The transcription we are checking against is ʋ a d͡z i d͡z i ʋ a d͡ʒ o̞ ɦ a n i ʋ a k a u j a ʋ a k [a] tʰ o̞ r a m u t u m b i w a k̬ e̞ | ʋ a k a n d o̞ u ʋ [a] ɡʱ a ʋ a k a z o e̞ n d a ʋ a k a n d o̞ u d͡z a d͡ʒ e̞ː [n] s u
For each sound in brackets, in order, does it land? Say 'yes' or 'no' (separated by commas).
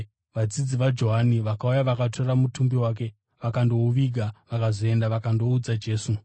yes, no, no